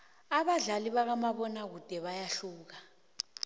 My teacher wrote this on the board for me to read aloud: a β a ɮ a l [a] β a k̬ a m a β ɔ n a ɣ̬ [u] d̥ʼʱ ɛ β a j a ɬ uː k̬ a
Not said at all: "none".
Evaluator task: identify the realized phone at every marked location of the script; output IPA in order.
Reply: i, u

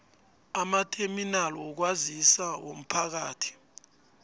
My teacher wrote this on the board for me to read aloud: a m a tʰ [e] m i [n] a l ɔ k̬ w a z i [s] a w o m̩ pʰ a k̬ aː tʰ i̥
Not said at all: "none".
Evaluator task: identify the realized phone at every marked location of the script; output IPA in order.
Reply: e, n, s

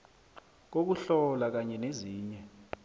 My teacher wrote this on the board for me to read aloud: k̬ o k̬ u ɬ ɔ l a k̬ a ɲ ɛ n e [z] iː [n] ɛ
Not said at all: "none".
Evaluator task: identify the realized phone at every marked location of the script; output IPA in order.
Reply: z, ɲ

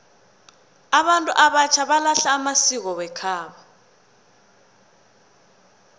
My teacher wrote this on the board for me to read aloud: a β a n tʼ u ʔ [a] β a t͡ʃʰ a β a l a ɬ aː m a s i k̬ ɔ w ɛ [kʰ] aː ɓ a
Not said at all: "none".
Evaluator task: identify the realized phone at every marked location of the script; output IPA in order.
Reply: a, kʰ

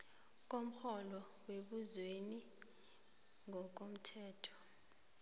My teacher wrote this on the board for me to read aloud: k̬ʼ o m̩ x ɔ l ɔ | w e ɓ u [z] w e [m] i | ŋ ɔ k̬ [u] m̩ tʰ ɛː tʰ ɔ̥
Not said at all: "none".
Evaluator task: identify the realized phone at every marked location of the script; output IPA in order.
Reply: z, n, o

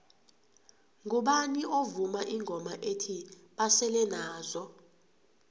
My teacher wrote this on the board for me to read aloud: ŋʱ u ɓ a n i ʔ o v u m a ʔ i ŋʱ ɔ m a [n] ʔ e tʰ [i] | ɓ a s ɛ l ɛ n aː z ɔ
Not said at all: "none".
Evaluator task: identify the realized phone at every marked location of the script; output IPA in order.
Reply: none, i

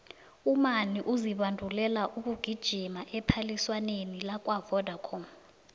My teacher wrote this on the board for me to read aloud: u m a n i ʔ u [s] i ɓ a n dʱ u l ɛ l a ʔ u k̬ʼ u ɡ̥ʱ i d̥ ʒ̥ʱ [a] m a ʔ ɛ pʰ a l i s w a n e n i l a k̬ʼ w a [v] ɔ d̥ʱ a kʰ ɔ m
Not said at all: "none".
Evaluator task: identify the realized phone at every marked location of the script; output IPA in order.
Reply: z, i, v

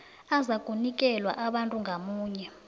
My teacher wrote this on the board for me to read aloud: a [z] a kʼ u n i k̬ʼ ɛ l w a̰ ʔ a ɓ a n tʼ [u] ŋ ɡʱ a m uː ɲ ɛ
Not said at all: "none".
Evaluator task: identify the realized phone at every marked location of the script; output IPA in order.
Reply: z, u

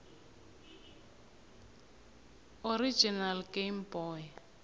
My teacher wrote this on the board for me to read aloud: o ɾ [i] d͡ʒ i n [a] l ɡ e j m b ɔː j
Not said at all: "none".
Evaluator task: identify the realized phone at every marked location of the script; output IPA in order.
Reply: i, a

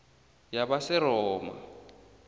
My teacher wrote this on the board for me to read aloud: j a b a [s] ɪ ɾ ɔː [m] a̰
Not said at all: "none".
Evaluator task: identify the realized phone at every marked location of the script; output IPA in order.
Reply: s, m

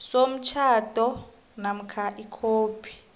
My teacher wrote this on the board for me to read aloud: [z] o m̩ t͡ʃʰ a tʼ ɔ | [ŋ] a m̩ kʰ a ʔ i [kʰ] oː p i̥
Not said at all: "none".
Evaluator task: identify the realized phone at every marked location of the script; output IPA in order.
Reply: s, n, kʰ

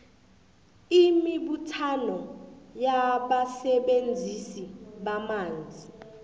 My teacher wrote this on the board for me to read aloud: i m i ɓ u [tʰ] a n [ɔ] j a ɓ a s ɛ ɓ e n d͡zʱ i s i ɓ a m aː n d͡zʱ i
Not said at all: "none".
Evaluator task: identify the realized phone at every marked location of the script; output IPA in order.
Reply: tʰ, ɔ

